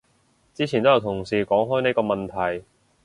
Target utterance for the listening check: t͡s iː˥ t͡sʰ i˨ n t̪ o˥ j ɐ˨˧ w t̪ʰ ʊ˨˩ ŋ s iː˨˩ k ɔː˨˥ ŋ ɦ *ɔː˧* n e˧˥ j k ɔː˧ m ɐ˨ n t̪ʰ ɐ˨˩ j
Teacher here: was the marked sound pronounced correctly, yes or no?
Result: no